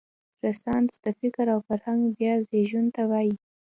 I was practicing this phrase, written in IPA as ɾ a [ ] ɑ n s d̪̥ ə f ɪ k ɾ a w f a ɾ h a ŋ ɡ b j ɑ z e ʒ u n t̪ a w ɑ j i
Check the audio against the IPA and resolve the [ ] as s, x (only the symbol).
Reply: s